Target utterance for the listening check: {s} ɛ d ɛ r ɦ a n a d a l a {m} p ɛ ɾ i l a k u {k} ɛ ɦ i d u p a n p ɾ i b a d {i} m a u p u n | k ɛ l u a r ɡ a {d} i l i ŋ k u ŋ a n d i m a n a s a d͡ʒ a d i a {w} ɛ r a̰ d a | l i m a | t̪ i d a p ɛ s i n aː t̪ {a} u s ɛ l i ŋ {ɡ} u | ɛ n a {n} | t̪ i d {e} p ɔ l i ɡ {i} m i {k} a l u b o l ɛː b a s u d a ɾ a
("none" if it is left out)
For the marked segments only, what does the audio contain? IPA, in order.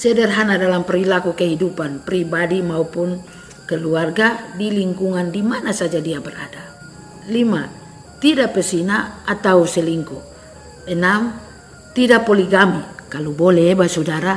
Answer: s, m, k, i, d, b, a, k, m, a, a, k

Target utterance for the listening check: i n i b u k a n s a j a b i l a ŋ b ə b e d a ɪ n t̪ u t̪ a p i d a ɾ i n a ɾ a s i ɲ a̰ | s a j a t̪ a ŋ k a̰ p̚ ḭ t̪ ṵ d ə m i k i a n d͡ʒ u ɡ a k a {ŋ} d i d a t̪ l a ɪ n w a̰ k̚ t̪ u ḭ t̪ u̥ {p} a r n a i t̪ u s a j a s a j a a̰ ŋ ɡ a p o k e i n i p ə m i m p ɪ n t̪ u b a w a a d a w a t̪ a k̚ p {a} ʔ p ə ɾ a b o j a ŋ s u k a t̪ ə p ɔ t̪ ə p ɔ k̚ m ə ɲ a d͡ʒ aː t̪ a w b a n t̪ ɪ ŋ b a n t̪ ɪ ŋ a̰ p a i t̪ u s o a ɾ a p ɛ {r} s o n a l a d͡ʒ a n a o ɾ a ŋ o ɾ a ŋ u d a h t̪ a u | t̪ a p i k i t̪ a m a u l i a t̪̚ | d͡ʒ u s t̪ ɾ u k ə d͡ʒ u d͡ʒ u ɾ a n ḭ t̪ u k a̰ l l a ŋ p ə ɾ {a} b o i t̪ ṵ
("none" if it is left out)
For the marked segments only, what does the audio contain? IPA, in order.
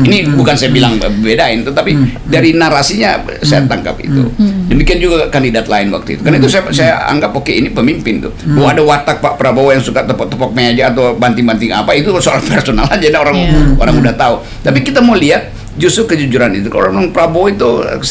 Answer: n, k, a, r, a

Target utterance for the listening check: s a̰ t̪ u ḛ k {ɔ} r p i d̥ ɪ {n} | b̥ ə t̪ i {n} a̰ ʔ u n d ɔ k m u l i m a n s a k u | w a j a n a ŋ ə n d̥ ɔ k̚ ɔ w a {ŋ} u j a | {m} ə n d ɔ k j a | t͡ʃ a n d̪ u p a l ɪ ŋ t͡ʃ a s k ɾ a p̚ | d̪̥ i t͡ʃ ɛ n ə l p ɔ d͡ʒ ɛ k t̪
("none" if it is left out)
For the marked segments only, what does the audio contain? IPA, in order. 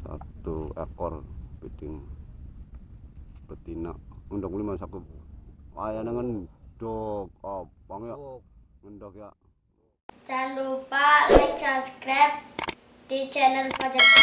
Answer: ɔ, ŋ, n, ŋ, ŋ

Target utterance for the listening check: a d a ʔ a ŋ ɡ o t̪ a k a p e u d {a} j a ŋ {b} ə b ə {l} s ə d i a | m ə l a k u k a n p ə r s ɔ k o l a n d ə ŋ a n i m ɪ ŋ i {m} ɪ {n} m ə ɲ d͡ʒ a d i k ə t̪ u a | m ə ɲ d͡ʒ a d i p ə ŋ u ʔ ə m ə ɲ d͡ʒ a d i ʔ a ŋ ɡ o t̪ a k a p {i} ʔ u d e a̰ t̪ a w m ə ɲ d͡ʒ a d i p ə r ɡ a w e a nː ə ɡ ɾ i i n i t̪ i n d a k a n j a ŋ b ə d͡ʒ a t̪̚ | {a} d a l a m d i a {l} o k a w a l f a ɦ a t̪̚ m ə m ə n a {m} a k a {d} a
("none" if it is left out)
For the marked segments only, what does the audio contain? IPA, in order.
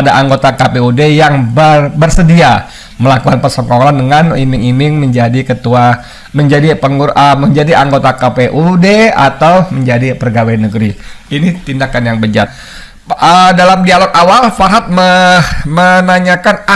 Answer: e, b, r, m, ŋ, e, ə, l, ɲ, n

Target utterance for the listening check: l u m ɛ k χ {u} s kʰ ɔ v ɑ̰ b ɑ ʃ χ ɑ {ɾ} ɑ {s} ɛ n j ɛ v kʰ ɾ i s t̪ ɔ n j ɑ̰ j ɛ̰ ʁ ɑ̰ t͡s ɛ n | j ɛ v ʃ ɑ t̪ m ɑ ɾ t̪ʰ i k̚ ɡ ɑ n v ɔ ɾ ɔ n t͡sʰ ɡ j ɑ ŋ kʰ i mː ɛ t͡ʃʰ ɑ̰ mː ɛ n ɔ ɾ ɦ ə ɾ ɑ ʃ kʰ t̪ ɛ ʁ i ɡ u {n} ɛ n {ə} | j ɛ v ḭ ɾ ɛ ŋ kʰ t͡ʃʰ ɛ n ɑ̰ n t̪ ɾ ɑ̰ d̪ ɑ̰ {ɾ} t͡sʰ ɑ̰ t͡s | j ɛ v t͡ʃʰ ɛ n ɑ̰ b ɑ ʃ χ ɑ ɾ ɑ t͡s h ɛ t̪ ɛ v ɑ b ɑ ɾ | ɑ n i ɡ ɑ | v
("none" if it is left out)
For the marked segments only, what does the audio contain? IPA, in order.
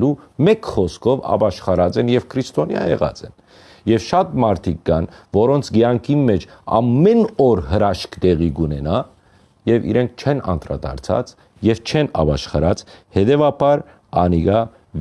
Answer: ɔ, ɾ, t͡s, n, ɑ, ɾ

